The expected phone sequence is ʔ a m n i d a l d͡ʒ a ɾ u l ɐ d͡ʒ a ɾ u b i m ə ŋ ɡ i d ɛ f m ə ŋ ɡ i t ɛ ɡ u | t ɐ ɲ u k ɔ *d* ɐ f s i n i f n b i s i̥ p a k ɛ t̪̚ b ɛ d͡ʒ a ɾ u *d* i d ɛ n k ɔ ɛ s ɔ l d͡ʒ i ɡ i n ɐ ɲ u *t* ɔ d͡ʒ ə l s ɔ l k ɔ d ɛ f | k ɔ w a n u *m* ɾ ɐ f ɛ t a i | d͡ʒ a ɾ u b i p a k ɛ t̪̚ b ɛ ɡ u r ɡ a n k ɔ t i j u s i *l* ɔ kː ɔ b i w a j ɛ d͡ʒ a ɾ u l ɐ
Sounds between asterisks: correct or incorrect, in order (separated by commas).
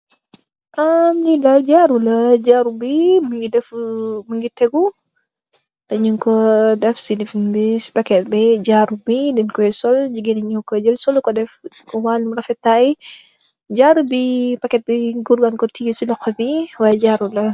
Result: correct, incorrect, incorrect, correct, correct